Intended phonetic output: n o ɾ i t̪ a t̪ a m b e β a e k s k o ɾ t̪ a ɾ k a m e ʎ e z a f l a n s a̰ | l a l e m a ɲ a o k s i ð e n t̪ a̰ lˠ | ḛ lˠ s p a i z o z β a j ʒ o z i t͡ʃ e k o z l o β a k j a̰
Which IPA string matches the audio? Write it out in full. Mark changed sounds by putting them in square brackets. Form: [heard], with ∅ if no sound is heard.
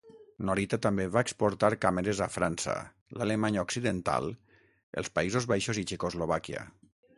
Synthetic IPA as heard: n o ɾ i t̪ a t̪ a m b e β a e k s [p] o ɾ t̪ a ɾ k a m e [ɾ] e z a f [ɾ] a n s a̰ | l a l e m a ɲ a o k s i ð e n t̪ a̰ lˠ | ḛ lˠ s p a i z o z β a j [ʃ] o z i t͡ʃ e k o z l o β a k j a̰